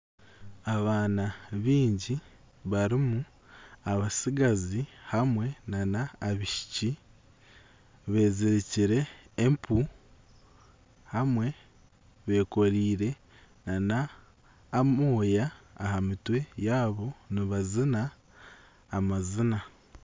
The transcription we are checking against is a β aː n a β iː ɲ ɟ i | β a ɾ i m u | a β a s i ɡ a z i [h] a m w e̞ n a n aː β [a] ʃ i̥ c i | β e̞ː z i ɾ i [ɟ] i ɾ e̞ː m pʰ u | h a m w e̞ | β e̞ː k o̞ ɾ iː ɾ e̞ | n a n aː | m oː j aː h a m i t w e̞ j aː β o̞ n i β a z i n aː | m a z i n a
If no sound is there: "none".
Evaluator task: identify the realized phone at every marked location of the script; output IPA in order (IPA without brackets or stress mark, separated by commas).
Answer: h, i, c